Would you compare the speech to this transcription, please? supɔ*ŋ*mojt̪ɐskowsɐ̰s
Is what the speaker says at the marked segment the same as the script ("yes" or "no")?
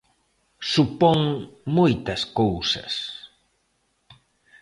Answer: yes